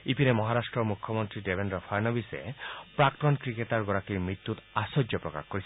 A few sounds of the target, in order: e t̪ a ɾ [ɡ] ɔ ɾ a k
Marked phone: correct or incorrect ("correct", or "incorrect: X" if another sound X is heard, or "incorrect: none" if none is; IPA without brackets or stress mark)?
correct